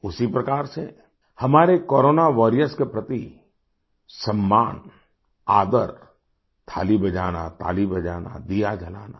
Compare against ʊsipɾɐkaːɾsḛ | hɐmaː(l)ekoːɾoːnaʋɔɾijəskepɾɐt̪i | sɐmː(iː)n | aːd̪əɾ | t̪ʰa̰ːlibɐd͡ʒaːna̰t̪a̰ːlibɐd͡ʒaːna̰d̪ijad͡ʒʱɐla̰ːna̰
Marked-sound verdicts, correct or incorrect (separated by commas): incorrect, incorrect